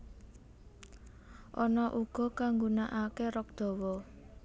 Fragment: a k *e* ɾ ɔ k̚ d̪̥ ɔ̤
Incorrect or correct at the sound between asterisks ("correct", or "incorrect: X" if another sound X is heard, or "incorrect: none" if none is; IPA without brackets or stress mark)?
correct